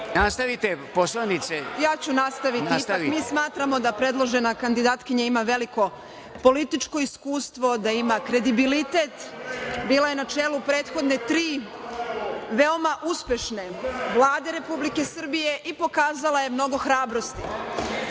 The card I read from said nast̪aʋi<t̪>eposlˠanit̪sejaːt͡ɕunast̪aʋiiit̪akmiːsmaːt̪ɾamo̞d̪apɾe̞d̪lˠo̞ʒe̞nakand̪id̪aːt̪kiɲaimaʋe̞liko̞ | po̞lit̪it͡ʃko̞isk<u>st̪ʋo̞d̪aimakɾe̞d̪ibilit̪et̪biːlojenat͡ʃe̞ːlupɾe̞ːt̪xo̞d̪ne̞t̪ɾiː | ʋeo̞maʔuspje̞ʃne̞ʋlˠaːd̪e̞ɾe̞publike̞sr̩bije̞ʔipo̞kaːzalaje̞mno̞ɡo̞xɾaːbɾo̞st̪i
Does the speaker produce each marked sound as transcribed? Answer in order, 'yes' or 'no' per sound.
yes, no

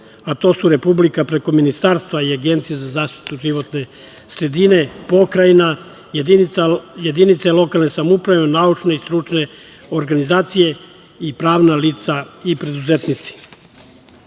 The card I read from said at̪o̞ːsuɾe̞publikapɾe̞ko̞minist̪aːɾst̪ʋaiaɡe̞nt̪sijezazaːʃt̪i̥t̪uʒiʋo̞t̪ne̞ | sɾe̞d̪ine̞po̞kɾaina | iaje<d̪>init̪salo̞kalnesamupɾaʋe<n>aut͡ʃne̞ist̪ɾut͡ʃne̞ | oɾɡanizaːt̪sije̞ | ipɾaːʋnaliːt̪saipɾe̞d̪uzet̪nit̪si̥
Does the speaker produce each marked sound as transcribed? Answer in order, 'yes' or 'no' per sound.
yes, yes

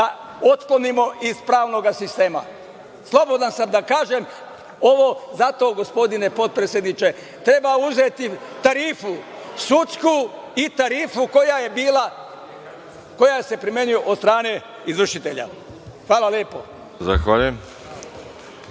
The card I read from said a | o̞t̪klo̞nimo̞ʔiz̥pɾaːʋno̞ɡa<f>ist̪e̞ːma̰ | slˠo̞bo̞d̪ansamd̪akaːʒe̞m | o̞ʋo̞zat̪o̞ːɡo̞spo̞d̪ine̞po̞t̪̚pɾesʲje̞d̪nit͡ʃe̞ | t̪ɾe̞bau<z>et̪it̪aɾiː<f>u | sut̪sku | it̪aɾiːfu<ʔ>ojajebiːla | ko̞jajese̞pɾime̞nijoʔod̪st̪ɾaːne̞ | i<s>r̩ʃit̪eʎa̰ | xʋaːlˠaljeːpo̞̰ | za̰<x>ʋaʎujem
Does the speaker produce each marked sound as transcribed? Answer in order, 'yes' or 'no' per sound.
no, yes, yes, no, no, yes

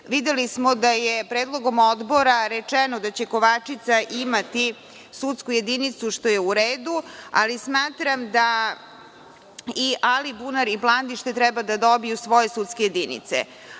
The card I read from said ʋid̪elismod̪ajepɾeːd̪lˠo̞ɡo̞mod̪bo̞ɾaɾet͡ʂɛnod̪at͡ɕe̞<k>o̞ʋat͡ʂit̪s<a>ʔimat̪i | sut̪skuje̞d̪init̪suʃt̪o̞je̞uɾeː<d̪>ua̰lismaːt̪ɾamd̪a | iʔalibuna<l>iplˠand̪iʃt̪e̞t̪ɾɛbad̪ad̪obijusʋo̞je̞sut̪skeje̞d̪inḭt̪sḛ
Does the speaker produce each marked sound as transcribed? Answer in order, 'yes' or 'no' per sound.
yes, yes, yes, no

